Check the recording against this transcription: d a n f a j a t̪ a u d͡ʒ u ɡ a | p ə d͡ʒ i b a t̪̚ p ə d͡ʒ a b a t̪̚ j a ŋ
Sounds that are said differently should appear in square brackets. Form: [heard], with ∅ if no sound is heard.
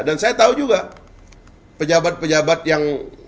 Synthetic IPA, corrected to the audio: d a n [s] a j a t̪ a u d͡ʒ u ɡ a | p ə d͡ʒ [a] b a t̪̚ p ə d͡ʒ a b a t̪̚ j a ŋ